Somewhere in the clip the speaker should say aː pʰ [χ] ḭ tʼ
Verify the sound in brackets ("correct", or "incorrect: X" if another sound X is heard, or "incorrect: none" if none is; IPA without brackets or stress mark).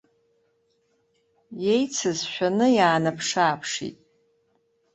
incorrect: ʂ